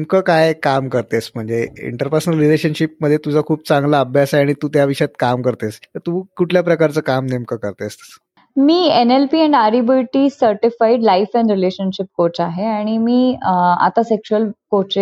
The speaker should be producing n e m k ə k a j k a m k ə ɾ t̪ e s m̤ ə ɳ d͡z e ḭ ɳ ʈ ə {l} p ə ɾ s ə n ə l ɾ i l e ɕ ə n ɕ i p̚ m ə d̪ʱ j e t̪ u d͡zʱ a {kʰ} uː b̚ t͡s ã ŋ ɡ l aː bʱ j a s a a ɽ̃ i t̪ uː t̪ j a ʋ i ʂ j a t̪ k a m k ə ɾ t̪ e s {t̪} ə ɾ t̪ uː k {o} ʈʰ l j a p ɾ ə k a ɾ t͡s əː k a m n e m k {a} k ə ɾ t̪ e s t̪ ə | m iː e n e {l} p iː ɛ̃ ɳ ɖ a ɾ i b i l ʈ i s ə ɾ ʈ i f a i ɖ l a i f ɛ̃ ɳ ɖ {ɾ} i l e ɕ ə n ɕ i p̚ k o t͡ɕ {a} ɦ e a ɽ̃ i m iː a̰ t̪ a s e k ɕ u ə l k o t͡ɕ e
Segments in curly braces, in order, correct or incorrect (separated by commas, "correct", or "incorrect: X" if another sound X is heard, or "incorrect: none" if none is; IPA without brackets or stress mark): incorrect: ɾ, correct, correct, incorrect: u, incorrect: ə, correct, correct, correct